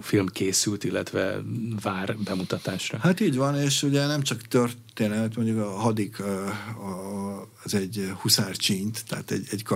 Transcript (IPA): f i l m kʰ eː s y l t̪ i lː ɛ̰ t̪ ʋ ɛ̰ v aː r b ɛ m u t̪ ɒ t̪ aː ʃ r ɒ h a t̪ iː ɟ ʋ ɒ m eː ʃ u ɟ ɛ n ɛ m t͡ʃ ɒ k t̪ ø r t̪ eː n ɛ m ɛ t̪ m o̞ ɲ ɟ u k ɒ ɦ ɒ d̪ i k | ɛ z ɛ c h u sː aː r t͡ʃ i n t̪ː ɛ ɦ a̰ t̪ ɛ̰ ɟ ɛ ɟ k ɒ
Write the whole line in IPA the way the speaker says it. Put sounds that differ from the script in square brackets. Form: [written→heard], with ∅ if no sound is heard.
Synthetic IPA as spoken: f i l m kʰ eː s y l t̪ i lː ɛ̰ t̪ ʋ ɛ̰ v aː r b ɛ m u t̪ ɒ t̪ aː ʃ r ɒ h a t̪ iː ɟ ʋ ɒ [m→n] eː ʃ u ɟ ɛ n ɛ m t͡ʃ ɒ k t̪ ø r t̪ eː n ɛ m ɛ t̪ m o̞ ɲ ɟ u k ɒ ɦ ɒ d̪ i k | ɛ z ɛ [c→ɟ] h u [sː→s] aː r t͡ʃ i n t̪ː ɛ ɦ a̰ t̪ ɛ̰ ɟ ɛ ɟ k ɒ